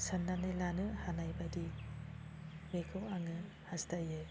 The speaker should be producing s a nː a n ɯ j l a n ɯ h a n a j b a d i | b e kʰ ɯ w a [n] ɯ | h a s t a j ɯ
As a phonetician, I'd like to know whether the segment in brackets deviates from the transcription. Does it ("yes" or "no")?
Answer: yes